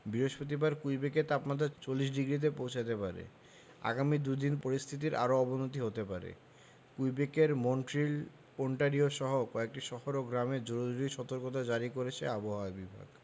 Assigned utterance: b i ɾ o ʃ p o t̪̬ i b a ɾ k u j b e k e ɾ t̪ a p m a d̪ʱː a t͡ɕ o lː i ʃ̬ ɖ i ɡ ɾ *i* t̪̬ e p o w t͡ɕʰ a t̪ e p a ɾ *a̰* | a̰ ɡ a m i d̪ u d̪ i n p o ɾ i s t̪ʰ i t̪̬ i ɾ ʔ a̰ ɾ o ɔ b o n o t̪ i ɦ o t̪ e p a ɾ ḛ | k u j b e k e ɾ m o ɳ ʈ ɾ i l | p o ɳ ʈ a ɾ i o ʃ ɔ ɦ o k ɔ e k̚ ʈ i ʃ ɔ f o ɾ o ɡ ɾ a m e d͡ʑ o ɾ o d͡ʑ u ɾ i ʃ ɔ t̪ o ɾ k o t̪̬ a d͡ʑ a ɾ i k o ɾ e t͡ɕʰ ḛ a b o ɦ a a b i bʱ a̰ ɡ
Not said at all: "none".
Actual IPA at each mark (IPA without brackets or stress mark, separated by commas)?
i, ḛ